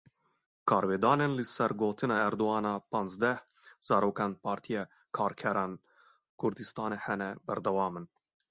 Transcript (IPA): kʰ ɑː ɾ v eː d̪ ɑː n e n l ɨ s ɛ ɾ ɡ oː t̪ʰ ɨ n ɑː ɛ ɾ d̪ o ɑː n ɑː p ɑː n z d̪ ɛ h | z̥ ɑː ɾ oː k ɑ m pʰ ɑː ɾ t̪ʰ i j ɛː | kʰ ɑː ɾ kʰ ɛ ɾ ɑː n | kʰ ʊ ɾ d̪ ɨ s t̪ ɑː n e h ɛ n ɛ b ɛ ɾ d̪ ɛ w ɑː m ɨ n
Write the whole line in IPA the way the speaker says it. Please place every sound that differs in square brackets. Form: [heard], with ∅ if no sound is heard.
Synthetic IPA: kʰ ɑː ɾ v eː d̪ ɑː n e n l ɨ s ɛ ɾ ɡ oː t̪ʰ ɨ n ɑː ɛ ɾ d̪ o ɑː n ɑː p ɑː n z d̪ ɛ h | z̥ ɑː ɾ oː k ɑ [n] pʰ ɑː ɾ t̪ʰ i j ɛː | kʰ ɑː ɾ kʰ ɛ ɾ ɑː n | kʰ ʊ ɾ d̪ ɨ s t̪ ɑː n e h ɛ n ɛ b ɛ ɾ d̪ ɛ w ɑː m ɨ n

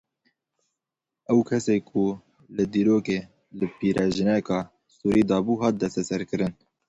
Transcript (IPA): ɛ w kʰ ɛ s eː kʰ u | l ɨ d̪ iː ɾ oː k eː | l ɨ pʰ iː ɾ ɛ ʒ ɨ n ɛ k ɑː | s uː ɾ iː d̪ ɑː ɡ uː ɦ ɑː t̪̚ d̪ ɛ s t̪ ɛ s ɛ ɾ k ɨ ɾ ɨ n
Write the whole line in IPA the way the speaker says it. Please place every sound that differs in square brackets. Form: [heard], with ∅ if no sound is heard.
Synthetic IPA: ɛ w kʰ ɛ s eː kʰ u | l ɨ d̪ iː ɾ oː k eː | l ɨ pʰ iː ɾ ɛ ʒ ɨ n ɛ k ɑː | s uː ɾ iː d̪ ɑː [b] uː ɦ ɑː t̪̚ d̪ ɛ s t̪ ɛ s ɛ ɾ k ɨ ɾ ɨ n

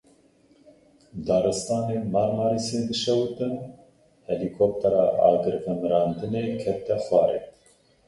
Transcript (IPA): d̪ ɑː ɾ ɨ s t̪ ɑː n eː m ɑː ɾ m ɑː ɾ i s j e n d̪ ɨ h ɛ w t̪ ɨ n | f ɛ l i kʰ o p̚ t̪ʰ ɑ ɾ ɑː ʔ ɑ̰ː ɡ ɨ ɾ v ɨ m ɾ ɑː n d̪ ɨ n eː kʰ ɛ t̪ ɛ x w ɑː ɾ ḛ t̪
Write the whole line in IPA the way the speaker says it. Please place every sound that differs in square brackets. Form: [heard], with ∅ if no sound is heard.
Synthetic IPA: d̪ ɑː ɾ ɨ s t̪ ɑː n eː m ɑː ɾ m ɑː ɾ i s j e n d̪ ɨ [ʃ] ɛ w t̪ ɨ n | [h] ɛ l i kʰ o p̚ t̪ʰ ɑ ɾ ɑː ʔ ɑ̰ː ɡ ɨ ɾ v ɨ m ɾ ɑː n d̪ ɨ n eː kʰ ɛ t̪ ɛ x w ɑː ɾ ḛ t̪

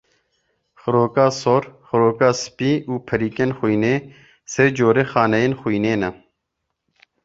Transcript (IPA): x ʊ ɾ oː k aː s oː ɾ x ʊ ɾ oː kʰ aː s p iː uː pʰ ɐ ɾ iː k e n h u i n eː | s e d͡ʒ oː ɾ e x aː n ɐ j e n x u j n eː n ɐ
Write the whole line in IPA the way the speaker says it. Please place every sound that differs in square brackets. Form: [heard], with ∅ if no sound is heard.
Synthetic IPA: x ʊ ɾ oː k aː s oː ɾ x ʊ ɾ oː [k] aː s p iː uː pʰ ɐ ɾ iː k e n [x] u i n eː | s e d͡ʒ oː ɾ e x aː n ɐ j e n x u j n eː n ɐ

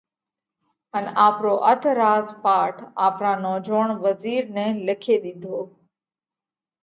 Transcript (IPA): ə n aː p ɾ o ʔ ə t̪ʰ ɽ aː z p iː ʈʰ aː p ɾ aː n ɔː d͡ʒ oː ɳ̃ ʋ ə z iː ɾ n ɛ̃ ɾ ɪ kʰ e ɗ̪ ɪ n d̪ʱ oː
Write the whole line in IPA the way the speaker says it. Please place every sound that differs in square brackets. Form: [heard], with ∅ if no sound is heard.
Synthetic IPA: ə n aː p ɾ o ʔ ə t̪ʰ [ɾ] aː z p [aː] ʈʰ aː p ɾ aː n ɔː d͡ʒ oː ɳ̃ ʋ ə z iː ɾ n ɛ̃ [l] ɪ kʰ e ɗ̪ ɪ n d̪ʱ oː

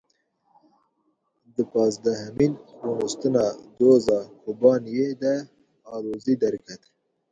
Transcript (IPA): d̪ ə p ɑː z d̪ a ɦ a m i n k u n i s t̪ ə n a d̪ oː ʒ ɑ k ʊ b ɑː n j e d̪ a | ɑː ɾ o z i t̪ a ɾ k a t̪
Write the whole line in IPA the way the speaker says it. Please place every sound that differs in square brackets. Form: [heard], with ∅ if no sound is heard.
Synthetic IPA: d̪ ə p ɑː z d̪ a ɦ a m i n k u n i s t̪ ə n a d̪ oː [z] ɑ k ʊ b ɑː n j e d̪ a | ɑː ɾ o z i [d̪] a ɾ k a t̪

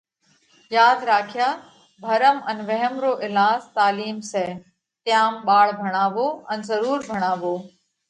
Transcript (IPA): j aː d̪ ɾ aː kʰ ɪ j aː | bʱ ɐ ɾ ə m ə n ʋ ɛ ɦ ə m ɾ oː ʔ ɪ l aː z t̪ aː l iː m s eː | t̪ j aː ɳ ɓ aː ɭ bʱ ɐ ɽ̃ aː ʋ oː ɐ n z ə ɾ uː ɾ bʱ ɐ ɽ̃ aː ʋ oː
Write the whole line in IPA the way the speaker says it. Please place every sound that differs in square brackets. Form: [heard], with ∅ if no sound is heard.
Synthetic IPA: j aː d̪ ɾ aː kʰ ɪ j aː | bʱ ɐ ɾ ə m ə n ʋ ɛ ɦ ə m ɾ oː ʔ ɪ l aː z t̪ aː l iː m s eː | t̪ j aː [m] ɓ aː ɭ bʱ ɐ ɽ̃ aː ʋ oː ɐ n z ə ɾ uː ɾ bʱ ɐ ɽ̃ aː ʋ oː

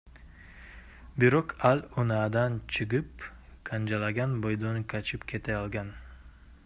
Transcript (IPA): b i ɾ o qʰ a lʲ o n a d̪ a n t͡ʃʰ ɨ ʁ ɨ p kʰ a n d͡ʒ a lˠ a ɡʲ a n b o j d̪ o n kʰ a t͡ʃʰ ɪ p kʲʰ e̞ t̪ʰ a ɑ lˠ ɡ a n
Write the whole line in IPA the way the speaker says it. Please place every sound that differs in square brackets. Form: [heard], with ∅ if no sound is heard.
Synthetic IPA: b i ɾ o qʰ a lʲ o n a d̪ a n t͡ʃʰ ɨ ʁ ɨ p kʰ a n d͡ʒ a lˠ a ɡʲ a n b o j d̪ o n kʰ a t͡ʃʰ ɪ p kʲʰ e̞ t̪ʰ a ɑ lˠ ɡ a n

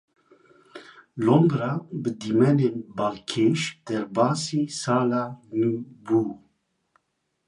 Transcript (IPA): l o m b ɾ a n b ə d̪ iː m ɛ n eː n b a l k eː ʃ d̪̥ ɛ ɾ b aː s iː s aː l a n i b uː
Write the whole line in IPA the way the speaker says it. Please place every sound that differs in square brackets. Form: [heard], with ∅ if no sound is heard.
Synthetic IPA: l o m b ɾ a [∅] b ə d̪ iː m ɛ n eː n b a l [kʰ] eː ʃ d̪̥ ɛ ɾ b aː s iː s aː l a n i b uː

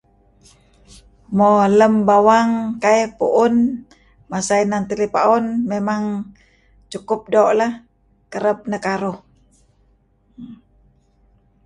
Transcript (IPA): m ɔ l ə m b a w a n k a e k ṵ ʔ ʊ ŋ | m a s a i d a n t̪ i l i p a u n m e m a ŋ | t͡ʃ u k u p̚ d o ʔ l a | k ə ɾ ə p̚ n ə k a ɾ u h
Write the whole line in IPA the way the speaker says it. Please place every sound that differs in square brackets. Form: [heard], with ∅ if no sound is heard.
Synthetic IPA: m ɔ l ə m b a w a [ŋ] k a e [p] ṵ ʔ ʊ [n] | m a s a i [n] a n t̪ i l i p a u n m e m a ŋ | t͡ʃ u k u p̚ d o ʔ l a | k ə ɾ ə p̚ n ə k a ɾ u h

